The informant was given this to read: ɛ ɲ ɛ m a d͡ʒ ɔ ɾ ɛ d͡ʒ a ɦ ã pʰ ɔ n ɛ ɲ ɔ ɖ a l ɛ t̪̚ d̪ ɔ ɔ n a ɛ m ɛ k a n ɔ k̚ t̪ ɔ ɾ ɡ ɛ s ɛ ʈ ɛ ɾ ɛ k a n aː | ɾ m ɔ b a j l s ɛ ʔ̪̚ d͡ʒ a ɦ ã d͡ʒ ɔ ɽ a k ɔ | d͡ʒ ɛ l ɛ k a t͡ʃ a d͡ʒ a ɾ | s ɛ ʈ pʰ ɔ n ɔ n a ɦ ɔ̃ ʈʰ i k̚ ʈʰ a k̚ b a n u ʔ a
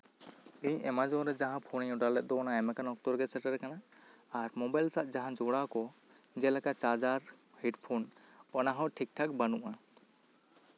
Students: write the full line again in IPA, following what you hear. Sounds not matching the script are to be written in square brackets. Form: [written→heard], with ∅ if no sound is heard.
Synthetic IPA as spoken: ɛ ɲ ɛ m a d͡ʒ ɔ ɾ ɛ d͡ʒ a ɦ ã pʰ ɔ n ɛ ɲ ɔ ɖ a l ɛ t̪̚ d̪ ɔ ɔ n a ɛ m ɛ k a n ɔ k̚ t̪ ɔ ɾ ɡ ɛ s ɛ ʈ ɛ ɾ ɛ k a n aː | ɾ m ɔ b a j l s [ɛ→a] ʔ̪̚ d͡ʒ a ɦ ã d͡ʒ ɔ ɽ a k ɔ | d͡ʒ ɛ l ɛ k a t͡ʃ a d͡ʒ a ɾ | [s→h] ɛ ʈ pʰ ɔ n ɔ n a ɦ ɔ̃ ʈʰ i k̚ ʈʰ a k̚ b a n u ʔ a